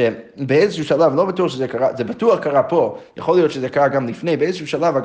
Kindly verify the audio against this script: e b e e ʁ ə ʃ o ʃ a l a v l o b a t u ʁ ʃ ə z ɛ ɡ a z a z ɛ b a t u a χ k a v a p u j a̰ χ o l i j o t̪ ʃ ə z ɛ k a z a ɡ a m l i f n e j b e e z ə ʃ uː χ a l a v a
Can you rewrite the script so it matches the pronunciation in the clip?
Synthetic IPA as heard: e b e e z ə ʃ u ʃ a l a v l o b a t u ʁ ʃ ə z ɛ k a ʁ a z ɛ b a t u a χ k a ʁ a p o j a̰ χ o l i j o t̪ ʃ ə z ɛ k a ʁ a ɡ a m l i f n e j b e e z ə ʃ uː ʃ a l a v a